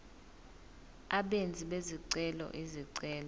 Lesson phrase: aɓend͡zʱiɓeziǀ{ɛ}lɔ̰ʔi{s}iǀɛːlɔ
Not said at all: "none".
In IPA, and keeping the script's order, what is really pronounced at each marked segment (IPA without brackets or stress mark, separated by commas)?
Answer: ɛ, z